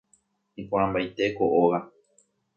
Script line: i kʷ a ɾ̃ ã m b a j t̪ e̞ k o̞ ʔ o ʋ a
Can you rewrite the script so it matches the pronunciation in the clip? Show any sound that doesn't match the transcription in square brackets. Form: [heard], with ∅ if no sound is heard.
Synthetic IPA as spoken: i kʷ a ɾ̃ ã m b a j t̪ e̞ k o̞ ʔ o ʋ a